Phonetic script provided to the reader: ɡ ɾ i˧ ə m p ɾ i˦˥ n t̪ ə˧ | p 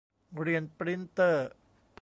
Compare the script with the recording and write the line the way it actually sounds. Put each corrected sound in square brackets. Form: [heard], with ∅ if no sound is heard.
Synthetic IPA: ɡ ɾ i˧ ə [n] p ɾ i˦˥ n t̪ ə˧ | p

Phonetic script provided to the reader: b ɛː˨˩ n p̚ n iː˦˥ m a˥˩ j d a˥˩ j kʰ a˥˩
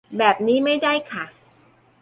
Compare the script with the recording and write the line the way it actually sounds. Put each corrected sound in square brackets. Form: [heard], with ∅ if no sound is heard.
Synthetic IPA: b ɛː˨˩ [∅] p̚ n iː˦˥ m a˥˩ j d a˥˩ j kʰ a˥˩

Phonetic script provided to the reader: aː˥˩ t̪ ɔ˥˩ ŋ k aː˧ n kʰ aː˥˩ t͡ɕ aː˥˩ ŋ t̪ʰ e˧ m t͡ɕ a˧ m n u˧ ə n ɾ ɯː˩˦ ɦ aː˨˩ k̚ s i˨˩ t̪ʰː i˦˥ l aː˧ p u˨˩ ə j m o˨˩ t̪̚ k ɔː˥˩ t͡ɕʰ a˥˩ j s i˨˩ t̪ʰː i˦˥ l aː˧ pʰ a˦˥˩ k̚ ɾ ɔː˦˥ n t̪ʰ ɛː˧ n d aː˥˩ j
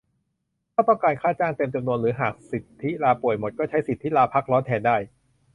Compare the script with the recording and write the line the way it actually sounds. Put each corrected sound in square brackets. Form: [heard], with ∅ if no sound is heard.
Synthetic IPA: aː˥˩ t̪ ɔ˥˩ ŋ k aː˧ n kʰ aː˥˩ t͡ɕ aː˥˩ ŋ [t̪] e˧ m t͡ɕ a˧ m n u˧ ə n ɾ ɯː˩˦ ɦ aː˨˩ k̚ s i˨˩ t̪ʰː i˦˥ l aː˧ p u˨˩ ə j m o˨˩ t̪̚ k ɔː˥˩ t͡ɕʰ [a˦˥] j s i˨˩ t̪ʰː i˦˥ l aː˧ pʰ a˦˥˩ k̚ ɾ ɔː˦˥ n t̪ʰ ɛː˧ n d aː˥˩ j

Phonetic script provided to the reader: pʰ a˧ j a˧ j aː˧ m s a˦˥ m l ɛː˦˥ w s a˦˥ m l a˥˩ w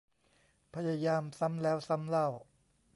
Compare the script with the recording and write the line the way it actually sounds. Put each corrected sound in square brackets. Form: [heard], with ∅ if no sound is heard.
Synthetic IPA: pʰ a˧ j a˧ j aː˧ m s a˦˥ m l ɛː˦˥ w s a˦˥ m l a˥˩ w

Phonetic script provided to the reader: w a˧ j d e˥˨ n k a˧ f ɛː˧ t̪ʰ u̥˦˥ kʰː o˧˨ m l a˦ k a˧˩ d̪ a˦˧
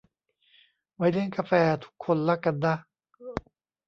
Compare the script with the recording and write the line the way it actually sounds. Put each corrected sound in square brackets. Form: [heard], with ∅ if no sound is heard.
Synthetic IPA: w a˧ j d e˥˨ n k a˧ f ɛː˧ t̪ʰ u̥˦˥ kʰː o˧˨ [n] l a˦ k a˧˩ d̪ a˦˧

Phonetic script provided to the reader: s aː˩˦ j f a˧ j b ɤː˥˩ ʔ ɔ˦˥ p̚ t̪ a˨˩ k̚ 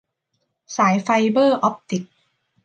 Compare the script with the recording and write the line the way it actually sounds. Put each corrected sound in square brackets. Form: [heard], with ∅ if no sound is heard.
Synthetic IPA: s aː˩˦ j f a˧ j b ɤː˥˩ ʔ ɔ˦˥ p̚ t̪ [i˨˩] k̚

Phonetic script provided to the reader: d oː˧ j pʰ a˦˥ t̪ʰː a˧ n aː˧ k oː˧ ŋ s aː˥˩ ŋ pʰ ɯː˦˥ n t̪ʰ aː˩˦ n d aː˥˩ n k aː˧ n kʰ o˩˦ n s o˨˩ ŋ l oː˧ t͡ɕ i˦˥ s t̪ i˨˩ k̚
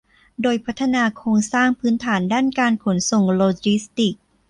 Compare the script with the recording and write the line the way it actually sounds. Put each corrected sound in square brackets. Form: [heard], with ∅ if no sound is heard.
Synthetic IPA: d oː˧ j pʰ a˦˥ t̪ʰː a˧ n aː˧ [kʰ] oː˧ ŋ s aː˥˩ ŋ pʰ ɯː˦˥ n t̪ʰ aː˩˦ n d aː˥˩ n k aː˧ n kʰ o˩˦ n s o˨˩ ŋ l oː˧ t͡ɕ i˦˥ s t̪ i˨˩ k̚

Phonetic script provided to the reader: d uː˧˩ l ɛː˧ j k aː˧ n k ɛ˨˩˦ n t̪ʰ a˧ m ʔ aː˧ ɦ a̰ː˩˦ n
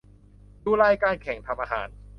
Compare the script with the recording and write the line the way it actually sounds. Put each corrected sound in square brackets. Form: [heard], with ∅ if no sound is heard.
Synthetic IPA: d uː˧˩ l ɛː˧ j k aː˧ n [kʰ] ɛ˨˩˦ [ŋ] t̪ʰ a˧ m ʔ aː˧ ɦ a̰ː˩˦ n

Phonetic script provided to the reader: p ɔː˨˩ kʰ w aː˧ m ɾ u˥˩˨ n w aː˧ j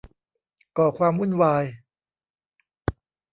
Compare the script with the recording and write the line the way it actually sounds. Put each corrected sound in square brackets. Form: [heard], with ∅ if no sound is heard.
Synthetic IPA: [k] ɔː˨˩ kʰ w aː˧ m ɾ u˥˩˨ n w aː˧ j

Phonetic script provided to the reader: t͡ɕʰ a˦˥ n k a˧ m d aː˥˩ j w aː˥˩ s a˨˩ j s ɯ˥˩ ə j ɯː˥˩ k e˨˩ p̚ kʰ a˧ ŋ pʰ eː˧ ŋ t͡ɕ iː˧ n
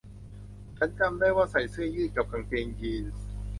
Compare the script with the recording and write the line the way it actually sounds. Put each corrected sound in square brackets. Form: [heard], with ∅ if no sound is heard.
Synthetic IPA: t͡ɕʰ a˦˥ n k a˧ m d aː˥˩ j w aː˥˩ s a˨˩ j s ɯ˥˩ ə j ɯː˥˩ k [a˨˩] p̚ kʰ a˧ ŋ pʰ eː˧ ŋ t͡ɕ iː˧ n

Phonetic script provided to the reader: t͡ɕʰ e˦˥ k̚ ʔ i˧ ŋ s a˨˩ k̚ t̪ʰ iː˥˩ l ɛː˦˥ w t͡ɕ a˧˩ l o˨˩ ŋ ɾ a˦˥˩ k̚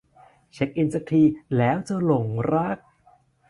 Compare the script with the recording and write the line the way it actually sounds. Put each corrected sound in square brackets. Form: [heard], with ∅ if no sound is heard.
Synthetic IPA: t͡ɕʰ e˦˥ k̚ ʔ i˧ [n] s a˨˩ k̚ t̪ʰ [iː˧] l ɛː˦˥ w t͡ɕ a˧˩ l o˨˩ ŋ ɾ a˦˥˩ k̚

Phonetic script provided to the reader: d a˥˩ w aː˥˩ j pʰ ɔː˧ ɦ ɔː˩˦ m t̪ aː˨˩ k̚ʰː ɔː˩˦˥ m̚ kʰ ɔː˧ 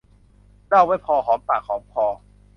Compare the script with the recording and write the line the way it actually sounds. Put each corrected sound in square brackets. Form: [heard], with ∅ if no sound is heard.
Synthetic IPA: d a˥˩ w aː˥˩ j pʰ ɔː˧ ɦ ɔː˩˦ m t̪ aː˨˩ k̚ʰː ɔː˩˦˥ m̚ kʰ ɔː˧

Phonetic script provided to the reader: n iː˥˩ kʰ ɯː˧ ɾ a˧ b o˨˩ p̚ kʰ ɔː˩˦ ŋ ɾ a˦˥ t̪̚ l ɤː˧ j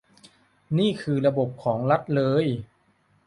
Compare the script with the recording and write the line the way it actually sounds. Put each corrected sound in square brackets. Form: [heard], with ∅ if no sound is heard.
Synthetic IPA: n iː˥˩ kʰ ɯː˧ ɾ a˧ b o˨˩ p̚ kʰ ɔː˩˦ ŋ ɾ a˦˥ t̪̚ l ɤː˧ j

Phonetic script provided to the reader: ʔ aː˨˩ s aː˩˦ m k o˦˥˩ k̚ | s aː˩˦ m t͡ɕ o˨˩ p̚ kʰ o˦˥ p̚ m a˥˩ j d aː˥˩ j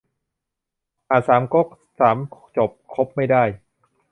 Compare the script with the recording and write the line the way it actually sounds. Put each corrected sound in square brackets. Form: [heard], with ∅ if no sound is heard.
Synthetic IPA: ʔ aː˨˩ s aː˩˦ m k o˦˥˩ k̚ | s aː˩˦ m t͡ɕ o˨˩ p̚ kʰ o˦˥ p̚ m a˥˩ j d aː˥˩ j

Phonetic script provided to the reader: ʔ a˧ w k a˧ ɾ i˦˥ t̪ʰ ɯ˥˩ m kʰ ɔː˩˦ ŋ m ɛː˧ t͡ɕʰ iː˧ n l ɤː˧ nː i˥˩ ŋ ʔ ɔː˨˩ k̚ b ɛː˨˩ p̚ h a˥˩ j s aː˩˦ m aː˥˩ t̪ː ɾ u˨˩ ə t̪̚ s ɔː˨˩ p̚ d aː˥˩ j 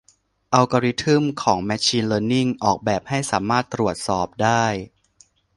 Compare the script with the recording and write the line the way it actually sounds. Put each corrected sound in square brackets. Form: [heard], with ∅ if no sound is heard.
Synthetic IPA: ʔ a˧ w k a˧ ɾ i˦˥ t̪ʰ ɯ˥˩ m kʰ ɔː˩˦ ŋ m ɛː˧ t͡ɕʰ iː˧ n l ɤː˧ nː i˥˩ ŋ ʔ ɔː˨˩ k̚ b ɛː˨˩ p̚ h a˥˩ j s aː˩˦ m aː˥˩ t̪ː ɾ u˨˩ ə t̪̚ s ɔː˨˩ p̚ d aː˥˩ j

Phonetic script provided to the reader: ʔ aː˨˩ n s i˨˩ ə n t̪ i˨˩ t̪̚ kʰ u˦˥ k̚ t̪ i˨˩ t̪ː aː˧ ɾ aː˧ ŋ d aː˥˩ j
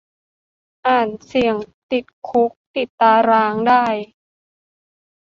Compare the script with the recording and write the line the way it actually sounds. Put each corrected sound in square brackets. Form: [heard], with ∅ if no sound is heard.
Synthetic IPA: ʔ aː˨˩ n s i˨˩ ə [ŋ] t̪ i˨˩ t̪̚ kʰ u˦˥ k̚ t̪ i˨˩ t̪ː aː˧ ɾ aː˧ ŋ d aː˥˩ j

